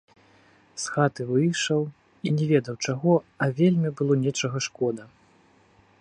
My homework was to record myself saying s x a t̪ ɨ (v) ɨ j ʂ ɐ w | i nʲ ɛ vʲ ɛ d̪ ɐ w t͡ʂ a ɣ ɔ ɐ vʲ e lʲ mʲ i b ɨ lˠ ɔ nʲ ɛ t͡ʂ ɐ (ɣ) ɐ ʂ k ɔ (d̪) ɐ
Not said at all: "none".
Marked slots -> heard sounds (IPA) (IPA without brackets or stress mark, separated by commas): v, ɣ, d̪